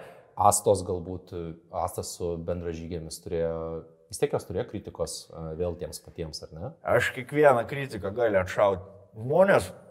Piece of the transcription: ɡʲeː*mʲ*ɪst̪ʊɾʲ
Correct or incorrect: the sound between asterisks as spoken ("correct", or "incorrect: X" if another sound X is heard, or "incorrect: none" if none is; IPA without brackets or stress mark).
correct